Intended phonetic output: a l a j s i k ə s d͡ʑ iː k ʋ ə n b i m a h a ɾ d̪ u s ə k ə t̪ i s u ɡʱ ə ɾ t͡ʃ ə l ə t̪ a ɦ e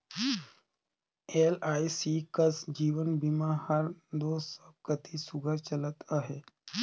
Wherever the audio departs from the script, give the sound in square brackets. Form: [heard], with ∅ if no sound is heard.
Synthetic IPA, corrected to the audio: [e] l a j s i k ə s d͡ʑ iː [∅] ʋ ə n b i m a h a ɾ d̪ [o] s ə k ə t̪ i s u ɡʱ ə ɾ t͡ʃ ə l ə t̪ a ɦ e